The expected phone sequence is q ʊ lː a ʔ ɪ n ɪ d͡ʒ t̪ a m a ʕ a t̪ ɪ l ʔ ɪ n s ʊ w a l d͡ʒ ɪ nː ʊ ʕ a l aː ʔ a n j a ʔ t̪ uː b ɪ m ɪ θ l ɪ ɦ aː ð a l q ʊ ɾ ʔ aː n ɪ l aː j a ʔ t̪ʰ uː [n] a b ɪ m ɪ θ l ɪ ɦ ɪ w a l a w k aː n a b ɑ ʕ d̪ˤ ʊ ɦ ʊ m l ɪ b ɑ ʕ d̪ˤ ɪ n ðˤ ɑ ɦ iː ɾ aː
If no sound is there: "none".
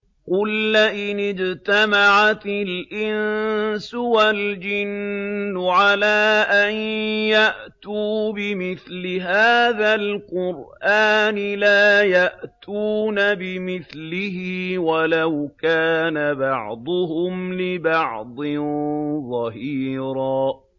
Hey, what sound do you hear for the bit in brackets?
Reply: n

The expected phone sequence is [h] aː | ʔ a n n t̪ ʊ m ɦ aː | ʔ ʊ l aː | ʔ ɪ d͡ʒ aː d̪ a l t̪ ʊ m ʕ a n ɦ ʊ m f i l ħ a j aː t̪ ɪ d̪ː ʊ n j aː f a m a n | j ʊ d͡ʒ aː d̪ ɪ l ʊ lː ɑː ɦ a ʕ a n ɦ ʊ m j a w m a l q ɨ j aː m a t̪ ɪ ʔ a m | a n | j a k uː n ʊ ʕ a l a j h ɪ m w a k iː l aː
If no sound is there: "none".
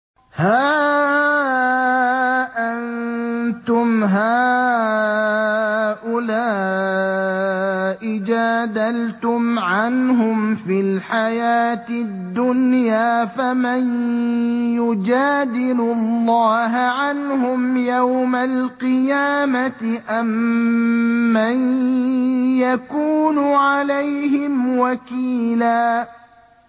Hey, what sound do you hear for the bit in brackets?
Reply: h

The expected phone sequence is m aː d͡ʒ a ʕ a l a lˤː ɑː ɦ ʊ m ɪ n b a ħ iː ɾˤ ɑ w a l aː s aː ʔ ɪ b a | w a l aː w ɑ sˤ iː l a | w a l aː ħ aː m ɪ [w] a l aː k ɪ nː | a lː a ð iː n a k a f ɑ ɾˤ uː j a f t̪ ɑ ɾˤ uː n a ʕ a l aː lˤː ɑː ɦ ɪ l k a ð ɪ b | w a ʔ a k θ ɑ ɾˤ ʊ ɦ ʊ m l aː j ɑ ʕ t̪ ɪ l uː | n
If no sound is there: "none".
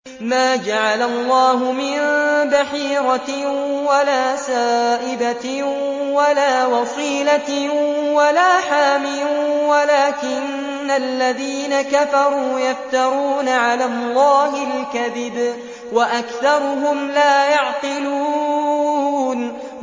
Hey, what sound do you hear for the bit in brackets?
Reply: w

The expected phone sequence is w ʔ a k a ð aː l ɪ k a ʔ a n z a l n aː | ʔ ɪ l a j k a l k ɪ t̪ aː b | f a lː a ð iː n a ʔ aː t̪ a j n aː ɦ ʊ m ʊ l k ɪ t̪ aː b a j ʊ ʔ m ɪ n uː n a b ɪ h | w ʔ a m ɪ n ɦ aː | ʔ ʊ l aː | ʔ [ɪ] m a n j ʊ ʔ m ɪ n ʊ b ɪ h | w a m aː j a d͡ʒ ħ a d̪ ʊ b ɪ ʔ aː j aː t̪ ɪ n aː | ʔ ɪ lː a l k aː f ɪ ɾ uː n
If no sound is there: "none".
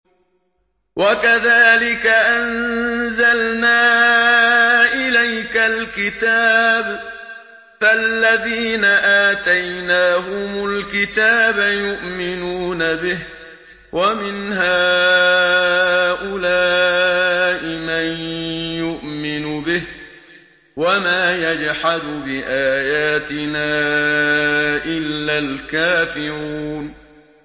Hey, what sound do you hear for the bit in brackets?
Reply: ɪ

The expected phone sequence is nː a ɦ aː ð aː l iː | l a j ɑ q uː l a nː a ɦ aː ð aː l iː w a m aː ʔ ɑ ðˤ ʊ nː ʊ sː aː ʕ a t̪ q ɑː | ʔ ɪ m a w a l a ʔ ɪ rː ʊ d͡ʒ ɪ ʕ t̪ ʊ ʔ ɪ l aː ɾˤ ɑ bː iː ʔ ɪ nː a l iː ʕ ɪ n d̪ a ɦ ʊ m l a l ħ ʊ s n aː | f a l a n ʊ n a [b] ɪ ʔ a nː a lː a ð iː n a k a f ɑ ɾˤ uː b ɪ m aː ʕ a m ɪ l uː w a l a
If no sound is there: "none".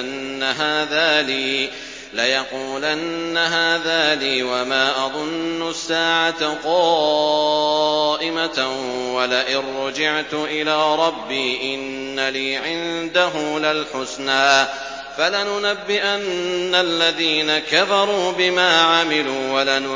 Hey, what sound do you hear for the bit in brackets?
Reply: bː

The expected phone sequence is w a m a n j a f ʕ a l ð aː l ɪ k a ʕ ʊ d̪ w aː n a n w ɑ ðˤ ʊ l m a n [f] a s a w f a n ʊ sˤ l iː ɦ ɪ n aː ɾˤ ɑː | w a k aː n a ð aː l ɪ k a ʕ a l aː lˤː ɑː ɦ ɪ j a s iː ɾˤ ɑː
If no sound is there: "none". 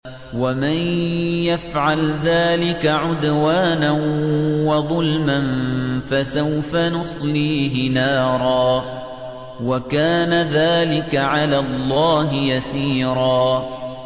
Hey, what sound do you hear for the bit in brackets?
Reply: f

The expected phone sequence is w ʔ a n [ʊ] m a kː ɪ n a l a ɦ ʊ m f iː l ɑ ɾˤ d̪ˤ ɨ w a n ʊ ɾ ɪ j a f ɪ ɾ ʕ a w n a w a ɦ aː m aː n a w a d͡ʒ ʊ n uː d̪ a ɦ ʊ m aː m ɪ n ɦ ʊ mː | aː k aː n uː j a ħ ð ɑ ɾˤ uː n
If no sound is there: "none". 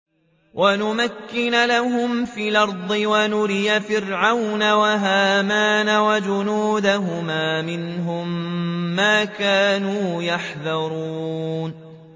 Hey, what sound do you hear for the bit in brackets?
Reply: ʊ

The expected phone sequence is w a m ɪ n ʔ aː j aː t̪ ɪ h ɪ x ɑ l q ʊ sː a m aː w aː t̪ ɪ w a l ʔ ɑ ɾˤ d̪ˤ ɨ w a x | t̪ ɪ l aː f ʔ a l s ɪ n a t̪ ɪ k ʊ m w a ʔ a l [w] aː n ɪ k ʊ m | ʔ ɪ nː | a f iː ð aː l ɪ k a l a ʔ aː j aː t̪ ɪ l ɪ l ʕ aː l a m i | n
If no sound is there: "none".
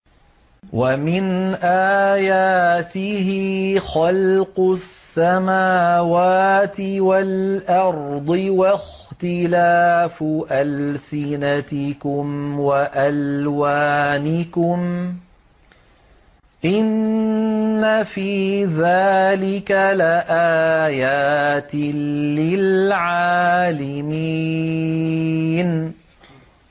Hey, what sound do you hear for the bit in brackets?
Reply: w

